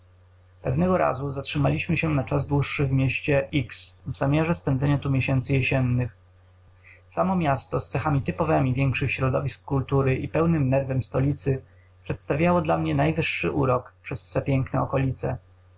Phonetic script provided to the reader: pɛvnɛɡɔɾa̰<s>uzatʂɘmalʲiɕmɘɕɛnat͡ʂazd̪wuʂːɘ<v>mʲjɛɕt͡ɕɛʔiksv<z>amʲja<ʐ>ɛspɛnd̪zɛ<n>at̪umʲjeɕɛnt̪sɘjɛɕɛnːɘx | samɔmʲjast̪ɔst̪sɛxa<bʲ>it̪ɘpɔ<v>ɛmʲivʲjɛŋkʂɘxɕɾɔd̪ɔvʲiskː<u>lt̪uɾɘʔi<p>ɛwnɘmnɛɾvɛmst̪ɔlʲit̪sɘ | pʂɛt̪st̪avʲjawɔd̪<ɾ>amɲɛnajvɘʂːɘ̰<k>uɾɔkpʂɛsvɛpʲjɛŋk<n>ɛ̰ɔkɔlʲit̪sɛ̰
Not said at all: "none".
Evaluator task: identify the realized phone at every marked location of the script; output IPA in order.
z, v, z, ʐ, ɲ, mʲ, v, u, p, l, ʔ, n

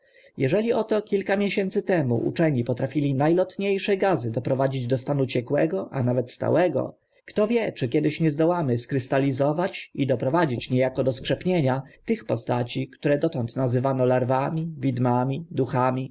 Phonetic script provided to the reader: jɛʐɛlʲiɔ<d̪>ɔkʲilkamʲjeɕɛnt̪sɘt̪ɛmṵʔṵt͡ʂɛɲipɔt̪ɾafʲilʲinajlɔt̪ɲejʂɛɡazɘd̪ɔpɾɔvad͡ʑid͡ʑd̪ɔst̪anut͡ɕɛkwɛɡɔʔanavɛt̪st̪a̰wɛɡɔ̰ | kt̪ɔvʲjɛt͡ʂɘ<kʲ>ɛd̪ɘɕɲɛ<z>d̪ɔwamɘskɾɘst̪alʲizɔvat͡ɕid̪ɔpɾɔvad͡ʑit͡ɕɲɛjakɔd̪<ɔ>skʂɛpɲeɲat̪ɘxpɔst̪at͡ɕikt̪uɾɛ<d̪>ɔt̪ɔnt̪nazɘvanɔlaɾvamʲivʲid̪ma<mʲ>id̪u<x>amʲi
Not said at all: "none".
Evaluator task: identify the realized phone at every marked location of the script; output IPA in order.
t̪, kʲ, z, ɔ, d̪, mʲ, x

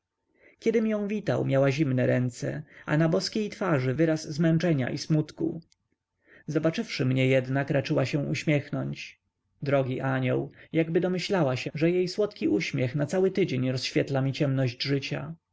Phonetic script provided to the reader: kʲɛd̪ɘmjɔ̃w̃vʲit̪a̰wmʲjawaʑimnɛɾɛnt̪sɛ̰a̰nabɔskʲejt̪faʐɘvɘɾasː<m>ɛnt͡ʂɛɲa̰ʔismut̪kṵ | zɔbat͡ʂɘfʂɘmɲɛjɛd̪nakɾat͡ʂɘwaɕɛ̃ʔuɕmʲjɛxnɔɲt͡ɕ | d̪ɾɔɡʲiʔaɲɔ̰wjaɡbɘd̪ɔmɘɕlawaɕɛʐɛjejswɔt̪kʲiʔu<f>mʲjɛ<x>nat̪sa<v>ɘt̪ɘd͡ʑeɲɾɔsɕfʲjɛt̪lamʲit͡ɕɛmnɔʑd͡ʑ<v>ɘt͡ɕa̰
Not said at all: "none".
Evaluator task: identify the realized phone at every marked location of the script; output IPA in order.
m, ɕ, x, w, ʐ

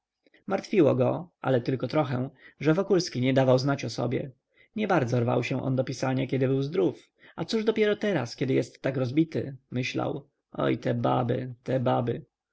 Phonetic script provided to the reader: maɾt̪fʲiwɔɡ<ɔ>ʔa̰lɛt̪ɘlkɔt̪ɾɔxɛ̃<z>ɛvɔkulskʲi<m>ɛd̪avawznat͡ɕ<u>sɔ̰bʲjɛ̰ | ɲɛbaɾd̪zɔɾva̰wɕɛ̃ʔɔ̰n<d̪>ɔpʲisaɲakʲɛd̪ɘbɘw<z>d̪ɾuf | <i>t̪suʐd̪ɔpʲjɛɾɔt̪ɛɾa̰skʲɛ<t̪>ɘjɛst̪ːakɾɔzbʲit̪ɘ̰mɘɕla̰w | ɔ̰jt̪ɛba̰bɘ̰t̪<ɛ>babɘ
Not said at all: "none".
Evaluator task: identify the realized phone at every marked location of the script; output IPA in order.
ɔ, ʐ, ɲ, ɔ, d̪, z, a, d̪, ɛ

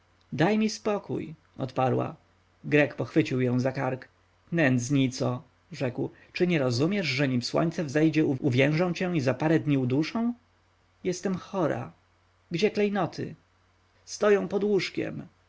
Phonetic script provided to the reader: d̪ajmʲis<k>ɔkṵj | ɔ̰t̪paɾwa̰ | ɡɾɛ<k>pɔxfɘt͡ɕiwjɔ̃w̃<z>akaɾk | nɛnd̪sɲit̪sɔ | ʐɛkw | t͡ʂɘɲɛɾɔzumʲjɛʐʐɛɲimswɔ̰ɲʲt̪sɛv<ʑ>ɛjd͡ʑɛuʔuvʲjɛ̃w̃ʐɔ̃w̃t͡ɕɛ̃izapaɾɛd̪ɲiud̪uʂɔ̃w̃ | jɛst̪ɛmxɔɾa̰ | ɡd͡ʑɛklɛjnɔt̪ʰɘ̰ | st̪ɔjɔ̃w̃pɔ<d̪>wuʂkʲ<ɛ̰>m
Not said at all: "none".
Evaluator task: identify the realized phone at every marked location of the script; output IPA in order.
p, k, z, z, d̪, ɛ̰

